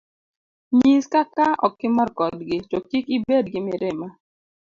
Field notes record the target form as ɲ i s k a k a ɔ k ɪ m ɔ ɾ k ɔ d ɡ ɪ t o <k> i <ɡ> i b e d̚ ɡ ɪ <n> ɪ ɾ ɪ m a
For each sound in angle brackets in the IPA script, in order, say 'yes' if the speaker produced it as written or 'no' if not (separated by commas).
yes, no, no